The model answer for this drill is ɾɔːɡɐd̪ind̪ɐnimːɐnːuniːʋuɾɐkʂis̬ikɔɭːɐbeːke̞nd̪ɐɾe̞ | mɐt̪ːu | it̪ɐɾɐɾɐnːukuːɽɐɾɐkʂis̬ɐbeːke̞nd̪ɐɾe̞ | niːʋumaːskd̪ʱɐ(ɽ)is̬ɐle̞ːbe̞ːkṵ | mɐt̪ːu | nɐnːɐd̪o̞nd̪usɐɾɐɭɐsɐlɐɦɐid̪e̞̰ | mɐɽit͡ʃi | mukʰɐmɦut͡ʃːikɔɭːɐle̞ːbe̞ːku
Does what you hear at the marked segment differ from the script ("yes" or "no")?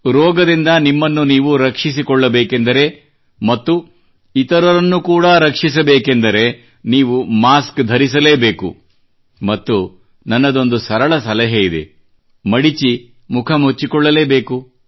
yes